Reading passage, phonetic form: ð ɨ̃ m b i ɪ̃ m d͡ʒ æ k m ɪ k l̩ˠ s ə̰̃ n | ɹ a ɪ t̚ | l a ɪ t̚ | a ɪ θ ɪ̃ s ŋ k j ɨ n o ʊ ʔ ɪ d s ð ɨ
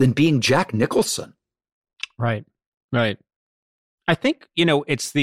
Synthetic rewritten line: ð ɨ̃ n b i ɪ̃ ŋ d͡ʒ æ k n ɪ k l̩ˠ s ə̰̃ n | ɹ a ɪ t̚ | ɹ a ɪ t̚ | a ɪ θ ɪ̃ ŋ k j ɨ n o ʊ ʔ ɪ t s ð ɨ